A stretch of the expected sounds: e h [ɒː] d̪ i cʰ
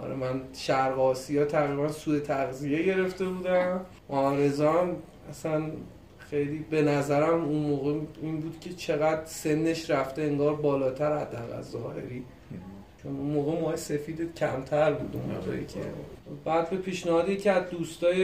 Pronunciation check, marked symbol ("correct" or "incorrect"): correct